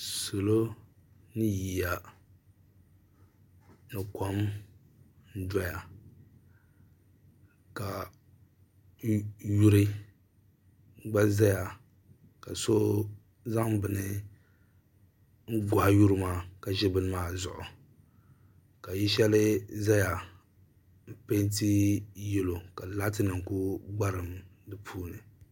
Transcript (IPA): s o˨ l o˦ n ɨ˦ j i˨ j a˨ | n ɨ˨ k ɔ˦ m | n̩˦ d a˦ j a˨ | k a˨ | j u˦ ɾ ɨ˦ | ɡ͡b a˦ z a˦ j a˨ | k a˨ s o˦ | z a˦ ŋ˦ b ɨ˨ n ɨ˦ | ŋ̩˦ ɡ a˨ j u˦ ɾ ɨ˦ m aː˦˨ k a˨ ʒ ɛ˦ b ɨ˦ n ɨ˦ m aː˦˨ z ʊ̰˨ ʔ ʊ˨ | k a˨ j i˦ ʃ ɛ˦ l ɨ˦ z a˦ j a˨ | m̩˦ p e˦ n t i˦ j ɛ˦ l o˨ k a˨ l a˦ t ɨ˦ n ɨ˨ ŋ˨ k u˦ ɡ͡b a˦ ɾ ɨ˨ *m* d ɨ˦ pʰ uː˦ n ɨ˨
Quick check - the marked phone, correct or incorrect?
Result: correct